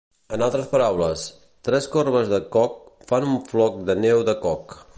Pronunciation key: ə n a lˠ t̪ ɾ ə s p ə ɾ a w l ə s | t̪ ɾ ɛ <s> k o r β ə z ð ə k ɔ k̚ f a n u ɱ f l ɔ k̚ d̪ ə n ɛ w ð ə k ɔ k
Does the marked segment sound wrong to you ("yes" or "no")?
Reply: no